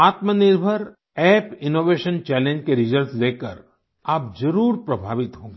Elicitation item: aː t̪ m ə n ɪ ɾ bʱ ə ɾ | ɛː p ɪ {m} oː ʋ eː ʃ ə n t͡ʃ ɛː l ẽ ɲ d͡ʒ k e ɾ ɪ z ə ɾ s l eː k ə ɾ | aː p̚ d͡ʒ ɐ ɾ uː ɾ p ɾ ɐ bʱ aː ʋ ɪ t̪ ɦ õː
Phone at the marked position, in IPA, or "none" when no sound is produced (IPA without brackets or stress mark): n